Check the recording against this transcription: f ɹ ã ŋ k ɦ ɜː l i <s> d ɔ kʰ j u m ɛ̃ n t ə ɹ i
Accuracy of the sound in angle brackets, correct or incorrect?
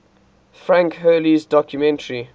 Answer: incorrect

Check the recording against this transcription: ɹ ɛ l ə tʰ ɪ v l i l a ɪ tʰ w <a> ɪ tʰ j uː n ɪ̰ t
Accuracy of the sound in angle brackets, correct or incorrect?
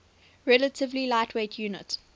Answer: incorrect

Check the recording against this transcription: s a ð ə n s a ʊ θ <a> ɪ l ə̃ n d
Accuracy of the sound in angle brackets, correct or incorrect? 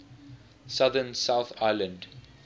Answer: correct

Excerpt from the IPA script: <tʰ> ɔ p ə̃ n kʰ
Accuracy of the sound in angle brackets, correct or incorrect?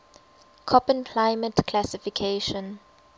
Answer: incorrect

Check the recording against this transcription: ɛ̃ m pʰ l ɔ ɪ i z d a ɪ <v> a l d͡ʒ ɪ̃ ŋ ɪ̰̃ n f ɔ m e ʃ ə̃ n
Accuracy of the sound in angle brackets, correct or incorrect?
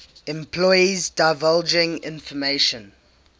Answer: correct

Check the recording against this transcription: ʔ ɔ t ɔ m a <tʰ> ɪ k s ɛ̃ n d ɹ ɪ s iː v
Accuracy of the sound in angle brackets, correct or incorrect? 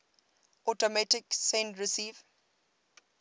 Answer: incorrect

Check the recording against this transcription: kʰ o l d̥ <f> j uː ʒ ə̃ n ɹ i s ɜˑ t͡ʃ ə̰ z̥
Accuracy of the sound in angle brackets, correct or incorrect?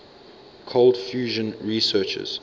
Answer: correct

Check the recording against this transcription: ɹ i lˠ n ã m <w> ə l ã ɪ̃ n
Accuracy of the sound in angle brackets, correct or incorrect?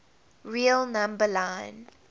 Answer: incorrect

